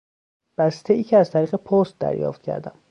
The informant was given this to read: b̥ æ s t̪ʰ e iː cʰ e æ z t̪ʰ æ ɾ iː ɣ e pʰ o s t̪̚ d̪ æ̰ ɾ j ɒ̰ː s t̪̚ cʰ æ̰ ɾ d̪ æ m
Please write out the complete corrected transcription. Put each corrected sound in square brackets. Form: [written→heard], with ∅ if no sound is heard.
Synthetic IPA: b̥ æ s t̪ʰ e iː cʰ e æ z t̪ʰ æ ɾ iː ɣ e pʰ o s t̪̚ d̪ æ̰ ɾ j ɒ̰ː [s→f] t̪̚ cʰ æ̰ ɾ d̪ æ m

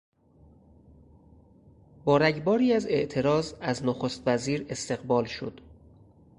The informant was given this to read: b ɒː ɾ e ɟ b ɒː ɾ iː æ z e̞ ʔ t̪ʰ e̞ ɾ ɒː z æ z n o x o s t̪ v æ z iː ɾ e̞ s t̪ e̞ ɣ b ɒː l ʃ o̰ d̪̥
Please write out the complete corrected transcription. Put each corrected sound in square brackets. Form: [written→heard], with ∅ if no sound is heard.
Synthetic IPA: b ɒː ɾ [e→æ] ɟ b ɒː ɾ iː æ z e̞ ʔ t̪ʰ e̞ ɾ ɒː z æ z n o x o s t̪ v æ z iː ɾ e̞ s t̪ e̞ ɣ b ɒː l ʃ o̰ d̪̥

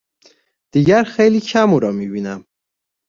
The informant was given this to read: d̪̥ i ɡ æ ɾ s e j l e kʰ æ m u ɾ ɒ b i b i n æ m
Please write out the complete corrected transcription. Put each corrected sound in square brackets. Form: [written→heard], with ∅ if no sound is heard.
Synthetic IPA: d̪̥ i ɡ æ ɾ [s→x] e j l [e→i] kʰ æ m u ɾ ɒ [b→m] i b i n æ m

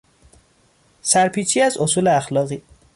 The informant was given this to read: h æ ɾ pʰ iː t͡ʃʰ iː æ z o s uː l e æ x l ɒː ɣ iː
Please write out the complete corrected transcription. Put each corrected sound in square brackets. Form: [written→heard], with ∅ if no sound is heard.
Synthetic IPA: [h→s] æ ɾ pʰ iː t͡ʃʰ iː æ z o s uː l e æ x l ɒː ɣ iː

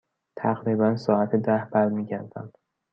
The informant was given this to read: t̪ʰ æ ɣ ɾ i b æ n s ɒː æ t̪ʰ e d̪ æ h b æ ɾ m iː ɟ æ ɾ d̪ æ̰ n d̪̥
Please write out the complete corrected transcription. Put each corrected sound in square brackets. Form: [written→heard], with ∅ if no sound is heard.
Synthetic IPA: t̪ʰ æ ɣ ɾ i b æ n s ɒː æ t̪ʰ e d̪ æ h b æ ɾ m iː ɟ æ ɾ d̪ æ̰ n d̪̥

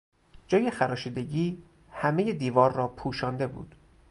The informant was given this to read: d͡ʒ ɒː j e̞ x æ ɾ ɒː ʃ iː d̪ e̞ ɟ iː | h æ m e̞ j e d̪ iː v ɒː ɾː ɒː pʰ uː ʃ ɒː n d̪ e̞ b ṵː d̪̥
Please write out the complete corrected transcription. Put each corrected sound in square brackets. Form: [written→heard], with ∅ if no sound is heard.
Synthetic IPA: d͡ʒ ɒː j e̞ x æ ɾ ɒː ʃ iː d̪ e̞ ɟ iː | h æ m e̞ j e d̪ iː v ɒː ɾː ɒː pʰ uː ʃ ɒː n d̪ e̞ b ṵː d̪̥

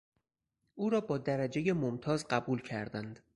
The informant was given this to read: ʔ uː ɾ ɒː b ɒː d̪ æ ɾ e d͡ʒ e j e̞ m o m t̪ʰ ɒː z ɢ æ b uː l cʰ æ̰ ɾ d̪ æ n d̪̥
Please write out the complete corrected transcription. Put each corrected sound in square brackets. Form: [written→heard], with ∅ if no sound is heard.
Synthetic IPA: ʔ uː ɾ ɒː b ɒː d̪ æ ɾ [e→æ] d͡ʒ e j e̞ m o m t̪ʰ ɒː z ɢ æ b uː l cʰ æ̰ ɾ d̪ æ n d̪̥

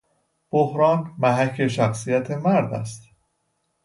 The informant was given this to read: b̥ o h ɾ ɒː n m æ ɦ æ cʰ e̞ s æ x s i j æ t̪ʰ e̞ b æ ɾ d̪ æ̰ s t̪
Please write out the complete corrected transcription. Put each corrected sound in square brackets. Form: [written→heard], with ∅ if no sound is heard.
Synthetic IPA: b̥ o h ɾ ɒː n m æ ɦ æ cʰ e̞ [s→ʃ] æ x s i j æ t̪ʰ e̞ [b→m] æ ɾ d̪ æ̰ s t̪

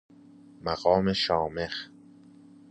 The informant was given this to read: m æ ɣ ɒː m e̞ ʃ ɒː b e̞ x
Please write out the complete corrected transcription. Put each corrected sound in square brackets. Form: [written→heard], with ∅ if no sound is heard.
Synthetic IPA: m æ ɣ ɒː m e̞ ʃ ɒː [b→m] e̞ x

